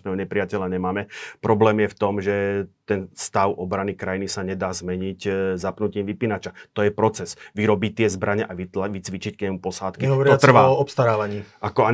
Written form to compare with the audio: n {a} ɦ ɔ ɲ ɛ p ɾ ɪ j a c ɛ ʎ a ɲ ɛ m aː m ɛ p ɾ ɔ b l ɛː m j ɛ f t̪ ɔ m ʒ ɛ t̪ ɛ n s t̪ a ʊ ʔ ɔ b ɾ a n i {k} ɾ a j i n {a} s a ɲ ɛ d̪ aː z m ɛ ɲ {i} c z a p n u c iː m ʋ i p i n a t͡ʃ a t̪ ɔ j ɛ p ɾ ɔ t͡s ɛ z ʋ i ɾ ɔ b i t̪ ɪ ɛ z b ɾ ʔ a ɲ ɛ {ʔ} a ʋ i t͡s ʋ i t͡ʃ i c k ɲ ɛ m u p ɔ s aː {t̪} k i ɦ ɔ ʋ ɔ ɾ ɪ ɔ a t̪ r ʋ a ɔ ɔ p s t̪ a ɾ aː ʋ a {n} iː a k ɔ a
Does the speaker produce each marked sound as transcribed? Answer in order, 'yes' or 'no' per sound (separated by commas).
no, yes, no, yes, yes, yes, no